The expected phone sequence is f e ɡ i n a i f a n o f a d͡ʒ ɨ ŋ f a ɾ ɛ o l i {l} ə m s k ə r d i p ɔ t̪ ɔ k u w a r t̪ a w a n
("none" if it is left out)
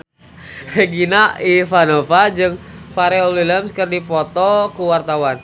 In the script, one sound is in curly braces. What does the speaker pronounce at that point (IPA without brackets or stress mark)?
l